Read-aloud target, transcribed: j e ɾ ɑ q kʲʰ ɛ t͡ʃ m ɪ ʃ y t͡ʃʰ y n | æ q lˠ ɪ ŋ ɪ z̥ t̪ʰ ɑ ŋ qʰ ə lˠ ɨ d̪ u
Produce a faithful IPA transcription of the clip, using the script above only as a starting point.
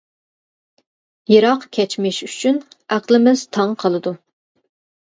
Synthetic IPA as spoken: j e ɾ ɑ q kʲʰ ɛ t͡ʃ m ɪ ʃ y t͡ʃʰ y n | æ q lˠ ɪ m ɪ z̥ t̪ʰ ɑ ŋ qʰ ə lˠ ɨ d̪ u